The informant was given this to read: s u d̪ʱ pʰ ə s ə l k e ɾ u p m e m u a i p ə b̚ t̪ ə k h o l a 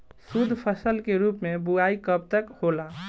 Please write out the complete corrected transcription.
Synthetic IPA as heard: s u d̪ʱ pʰ ə s ə l k e ɾ u p m e b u a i k ə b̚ t̪ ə k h o l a

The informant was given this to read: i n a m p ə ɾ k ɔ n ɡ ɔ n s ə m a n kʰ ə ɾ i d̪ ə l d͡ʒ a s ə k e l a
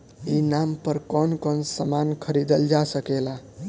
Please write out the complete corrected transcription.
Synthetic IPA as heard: i n a m p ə ɾ k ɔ n k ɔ n s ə m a n kʰ ə ɾ i d̪ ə l d͡ʒ a s ə k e l a

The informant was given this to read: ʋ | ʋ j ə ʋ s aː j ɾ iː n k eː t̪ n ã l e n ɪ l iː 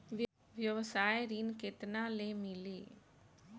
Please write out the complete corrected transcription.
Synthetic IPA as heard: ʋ | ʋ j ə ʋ s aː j ɾ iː n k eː t̪ n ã l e m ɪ l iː

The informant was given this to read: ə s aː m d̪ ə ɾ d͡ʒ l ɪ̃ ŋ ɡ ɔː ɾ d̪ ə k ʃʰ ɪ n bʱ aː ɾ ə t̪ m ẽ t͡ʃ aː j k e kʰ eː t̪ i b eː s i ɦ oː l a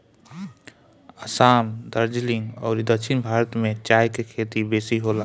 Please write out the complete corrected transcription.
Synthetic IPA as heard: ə s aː m d̪ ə ɾ d͡ʒ l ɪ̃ ŋ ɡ ɔː ɾ d̪ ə k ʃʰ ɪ n bʱ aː ɾ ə t̪ m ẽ t͡ʃ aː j k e kʰ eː t̪ i b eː s i ɦ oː l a

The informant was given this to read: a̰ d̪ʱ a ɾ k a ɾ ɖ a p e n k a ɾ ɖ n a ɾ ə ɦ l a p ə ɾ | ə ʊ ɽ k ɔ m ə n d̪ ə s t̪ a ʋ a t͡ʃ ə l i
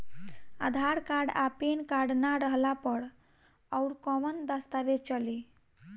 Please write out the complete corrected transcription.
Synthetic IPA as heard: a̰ d̪ʱ a ɾ k a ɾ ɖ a p e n k a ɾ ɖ n a ɾ ə ɦ l a p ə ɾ | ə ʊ ɾ k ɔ m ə n d̪ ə s t̪ a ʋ e t͡ʃ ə l i

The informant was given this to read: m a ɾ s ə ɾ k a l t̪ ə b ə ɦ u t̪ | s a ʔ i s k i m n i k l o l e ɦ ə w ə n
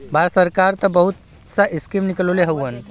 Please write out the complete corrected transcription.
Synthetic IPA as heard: b a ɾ s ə ɾ k a ɾ t̪ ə b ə ɦ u t̪ | s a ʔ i s k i m n i k l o l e ɦ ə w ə n

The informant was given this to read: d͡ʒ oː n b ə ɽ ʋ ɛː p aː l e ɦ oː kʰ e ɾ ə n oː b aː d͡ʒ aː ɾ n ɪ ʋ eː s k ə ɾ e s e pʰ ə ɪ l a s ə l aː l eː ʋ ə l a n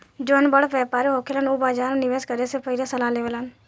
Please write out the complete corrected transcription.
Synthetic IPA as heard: d͡ʒ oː n b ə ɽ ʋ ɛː p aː ɾ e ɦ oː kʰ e l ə n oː b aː d͡ʒ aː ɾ n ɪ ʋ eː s k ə ɾ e s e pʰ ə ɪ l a s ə l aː l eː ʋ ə l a n

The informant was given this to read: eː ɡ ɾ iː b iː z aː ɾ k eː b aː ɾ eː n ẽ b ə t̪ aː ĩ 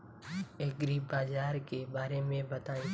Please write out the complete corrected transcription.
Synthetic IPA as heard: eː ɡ ɾ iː b aː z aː ɾ k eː b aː ɾ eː m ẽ b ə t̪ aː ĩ

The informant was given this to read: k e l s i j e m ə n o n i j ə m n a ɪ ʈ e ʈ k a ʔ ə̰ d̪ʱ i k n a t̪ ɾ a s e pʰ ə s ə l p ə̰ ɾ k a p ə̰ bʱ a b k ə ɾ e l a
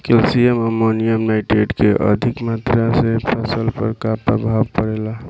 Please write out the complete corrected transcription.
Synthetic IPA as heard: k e l s i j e m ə m o n i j ə m n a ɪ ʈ e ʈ k e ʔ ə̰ d̪ʱ i k m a t̪ ɾ a s e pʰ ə s ə l p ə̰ ɾ k a p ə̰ bʱ a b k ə ɾ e l a

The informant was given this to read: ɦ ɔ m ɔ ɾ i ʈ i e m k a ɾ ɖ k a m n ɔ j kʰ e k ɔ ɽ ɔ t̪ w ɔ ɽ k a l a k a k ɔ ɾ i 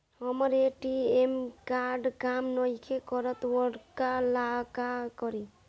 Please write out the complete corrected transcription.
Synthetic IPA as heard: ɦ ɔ m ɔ ɾ e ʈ i e m k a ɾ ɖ k a m n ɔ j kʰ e k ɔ ɾ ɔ t̪ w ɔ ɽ k a l a k a k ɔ ɾ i

